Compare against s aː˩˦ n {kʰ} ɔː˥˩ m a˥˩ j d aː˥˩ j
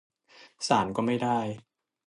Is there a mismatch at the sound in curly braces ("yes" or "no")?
yes